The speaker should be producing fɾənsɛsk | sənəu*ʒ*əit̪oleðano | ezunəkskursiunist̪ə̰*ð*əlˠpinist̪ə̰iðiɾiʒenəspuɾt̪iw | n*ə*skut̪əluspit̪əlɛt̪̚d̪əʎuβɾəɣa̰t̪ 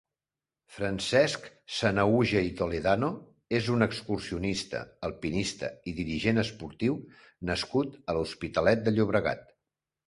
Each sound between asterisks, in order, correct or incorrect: correct, incorrect, correct

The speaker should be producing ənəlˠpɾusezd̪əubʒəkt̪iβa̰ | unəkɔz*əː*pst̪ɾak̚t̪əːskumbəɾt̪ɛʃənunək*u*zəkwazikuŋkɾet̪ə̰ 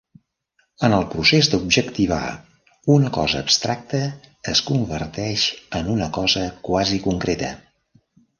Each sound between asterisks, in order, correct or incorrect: correct, incorrect

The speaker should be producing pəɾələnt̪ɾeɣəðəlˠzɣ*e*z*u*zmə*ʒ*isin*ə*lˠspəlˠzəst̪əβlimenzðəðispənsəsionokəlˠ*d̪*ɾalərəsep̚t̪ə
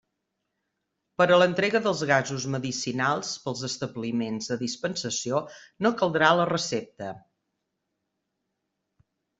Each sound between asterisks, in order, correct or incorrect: incorrect, correct, incorrect, incorrect, correct

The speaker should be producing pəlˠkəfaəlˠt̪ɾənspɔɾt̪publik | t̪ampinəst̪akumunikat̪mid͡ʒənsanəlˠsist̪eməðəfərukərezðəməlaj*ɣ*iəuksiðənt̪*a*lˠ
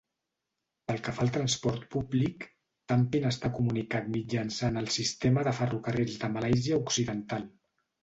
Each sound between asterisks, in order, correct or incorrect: incorrect, correct

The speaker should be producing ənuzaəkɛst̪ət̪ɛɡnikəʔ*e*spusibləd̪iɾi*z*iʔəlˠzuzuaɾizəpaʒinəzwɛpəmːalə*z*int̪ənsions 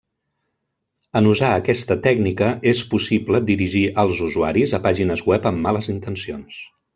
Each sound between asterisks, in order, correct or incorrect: correct, incorrect, correct

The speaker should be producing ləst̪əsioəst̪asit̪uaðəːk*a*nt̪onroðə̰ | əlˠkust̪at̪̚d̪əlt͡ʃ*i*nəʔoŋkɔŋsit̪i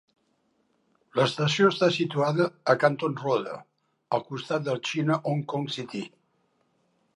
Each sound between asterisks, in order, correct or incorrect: correct, correct

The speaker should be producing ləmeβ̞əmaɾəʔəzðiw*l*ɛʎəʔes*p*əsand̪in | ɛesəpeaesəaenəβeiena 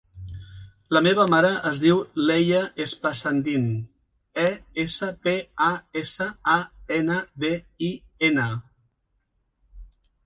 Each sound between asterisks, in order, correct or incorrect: correct, correct

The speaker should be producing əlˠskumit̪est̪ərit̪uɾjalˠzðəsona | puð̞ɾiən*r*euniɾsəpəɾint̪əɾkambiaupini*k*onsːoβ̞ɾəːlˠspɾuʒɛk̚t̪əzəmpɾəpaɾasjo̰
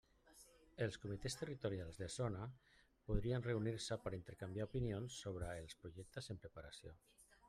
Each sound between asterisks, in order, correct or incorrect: correct, incorrect

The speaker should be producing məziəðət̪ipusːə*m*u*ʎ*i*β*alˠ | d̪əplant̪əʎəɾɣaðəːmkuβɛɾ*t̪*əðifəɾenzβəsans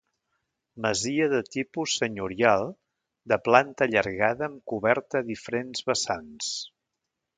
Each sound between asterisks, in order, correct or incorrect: incorrect, incorrect, incorrect, correct

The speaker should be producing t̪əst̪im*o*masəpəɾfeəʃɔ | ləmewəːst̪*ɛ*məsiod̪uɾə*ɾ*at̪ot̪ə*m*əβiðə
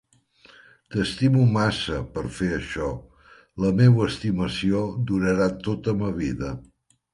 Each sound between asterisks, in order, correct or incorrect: incorrect, incorrect, correct, correct

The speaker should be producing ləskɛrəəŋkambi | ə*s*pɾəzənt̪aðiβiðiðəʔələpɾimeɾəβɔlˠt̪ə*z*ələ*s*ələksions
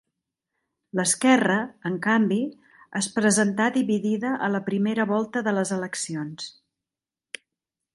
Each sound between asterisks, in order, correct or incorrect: correct, incorrect, incorrect

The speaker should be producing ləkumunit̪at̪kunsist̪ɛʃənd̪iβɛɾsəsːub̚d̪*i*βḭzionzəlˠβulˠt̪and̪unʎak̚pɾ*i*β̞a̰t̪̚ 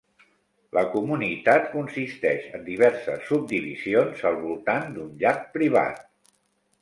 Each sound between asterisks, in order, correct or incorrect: correct, correct

